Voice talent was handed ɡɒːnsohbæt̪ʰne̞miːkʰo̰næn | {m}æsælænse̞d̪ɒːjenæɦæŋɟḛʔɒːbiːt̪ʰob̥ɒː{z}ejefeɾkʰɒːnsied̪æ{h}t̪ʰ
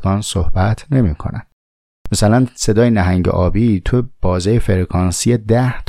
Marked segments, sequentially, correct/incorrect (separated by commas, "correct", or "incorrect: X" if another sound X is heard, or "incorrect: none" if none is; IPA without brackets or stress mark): correct, correct, correct